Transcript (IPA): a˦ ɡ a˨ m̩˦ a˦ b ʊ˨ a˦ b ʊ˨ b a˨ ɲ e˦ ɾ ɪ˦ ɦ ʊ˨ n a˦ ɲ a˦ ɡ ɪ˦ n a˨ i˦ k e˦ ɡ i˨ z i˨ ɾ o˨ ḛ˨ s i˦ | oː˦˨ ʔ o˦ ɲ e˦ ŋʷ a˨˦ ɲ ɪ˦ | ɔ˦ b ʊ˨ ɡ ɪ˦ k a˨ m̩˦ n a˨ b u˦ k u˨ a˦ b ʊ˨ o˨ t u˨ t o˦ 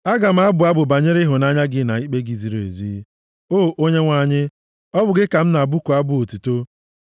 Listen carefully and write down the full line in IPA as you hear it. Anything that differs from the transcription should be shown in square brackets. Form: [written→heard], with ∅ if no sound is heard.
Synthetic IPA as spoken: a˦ ɡ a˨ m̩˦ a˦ b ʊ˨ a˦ b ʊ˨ b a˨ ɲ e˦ ɾ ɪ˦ ɦ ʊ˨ n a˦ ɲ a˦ ɡ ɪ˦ n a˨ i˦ [k→k͡p] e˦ ɡ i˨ z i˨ ɾ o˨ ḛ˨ [s→z] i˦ | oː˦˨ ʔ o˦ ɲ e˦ ŋʷ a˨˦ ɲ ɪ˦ | ɔ˦ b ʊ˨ ɡ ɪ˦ k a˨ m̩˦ n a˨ b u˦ k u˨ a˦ b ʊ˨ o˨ t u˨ t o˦